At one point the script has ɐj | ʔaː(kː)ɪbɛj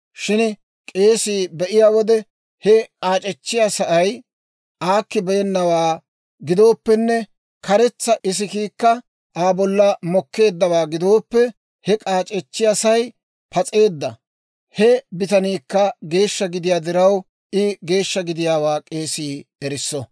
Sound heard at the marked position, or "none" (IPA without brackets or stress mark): kː